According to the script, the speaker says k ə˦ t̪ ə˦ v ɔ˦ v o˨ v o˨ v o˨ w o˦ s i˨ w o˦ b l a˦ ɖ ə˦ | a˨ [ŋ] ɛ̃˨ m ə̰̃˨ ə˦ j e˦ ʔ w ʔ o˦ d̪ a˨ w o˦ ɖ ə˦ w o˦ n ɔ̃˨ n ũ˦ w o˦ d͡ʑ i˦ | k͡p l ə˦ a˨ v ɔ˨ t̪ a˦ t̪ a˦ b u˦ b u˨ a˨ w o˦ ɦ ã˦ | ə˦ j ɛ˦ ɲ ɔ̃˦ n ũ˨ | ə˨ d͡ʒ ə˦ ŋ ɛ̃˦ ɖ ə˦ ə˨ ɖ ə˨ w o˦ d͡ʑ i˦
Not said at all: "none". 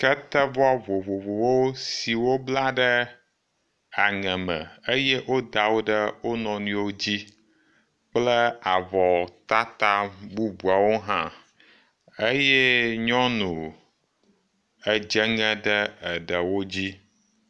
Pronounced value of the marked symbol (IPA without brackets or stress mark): ŋ